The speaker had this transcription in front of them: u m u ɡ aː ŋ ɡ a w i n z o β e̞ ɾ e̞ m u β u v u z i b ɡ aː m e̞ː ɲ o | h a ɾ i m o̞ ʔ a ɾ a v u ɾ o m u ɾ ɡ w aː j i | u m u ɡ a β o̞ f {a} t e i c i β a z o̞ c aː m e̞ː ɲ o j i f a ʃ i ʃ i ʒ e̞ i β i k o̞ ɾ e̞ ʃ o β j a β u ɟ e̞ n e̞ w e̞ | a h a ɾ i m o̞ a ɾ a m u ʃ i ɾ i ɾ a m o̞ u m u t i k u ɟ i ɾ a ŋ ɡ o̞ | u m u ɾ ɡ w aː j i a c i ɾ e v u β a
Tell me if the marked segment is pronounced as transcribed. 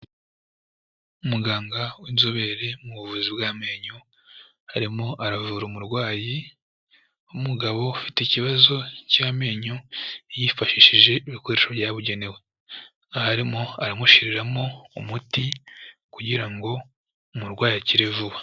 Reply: no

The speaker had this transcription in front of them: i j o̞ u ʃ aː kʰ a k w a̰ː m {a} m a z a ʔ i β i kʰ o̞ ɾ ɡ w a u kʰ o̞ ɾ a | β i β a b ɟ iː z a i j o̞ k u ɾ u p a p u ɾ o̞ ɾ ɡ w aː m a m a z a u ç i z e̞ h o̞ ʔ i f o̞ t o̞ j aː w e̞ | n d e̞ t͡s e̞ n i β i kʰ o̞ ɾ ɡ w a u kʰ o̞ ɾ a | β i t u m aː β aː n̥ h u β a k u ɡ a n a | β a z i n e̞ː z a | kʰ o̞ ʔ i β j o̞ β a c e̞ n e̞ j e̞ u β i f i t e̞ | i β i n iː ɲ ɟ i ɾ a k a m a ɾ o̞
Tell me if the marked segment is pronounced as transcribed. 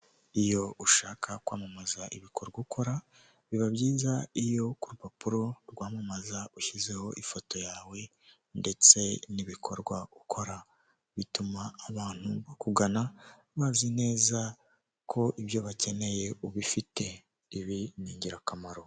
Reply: yes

